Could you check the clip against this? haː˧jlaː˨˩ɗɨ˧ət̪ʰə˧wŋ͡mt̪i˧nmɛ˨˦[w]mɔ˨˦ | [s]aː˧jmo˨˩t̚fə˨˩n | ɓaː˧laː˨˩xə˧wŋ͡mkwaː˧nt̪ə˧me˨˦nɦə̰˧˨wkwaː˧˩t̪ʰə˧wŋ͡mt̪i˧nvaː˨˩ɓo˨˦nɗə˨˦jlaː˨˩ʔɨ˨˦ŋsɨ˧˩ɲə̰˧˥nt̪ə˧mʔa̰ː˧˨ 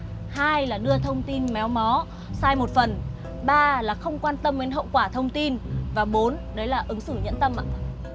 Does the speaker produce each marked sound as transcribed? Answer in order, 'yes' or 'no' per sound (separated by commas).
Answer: yes, yes